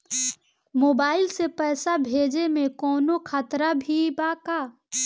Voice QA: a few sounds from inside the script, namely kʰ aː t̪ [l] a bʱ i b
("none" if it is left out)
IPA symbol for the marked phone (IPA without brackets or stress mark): ɾ